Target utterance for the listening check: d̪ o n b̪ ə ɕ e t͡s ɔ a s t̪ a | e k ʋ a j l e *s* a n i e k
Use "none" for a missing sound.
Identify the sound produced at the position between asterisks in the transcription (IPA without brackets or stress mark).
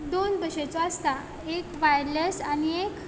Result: s